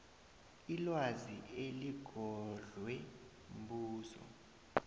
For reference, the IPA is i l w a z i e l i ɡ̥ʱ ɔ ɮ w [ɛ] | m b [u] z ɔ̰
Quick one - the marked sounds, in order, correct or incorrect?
correct, incorrect: uː

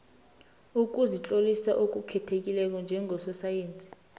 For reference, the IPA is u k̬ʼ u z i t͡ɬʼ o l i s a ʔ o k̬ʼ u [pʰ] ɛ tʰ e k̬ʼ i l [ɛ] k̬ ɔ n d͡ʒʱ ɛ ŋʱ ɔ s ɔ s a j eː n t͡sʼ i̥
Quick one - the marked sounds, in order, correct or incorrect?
incorrect: kʰ, correct

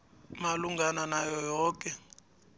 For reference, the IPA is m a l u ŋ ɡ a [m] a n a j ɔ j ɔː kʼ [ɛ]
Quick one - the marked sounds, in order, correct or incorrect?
incorrect: n, correct

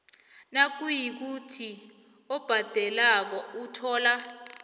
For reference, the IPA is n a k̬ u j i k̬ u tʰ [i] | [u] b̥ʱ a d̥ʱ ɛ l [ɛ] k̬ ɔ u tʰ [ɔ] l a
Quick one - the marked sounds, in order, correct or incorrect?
correct, incorrect: ɔ, incorrect: a, incorrect: ɔː

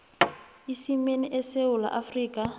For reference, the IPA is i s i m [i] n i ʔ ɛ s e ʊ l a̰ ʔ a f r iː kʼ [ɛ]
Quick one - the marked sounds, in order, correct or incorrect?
incorrect: e, incorrect: a

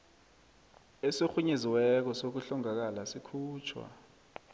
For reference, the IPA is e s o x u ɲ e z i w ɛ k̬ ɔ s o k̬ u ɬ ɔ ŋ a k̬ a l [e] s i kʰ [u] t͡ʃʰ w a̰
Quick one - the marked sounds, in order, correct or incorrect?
incorrect: a, incorrect: uː

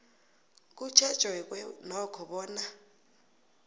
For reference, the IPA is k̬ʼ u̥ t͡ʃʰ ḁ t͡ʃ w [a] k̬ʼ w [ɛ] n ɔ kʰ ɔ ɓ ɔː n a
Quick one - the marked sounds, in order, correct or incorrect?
incorrect: ɛ, correct

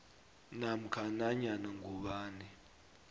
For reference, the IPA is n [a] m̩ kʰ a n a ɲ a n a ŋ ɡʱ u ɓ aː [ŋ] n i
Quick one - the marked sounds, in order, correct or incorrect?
correct, incorrect: none

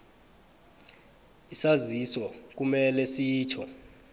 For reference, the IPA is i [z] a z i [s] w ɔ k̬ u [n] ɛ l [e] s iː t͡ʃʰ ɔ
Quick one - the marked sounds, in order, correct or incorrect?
incorrect: s, correct, incorrect: m, incorrect: ɛ

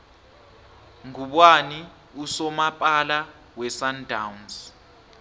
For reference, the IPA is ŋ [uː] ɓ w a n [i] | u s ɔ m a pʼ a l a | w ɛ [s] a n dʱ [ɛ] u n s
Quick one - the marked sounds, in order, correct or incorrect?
incorrect: u, correct, correct, incorrect: a

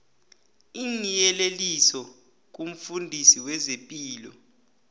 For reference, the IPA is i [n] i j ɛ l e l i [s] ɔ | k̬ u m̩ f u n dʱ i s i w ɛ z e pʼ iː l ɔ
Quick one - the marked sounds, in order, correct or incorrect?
correct, correct

